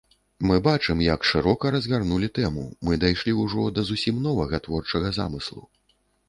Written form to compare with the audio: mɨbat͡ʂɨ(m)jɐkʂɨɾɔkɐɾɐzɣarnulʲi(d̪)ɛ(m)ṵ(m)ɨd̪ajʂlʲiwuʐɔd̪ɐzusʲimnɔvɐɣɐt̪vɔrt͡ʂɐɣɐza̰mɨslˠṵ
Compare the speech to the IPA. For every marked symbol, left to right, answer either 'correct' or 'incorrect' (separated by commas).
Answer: correct, incorrect, correct, correct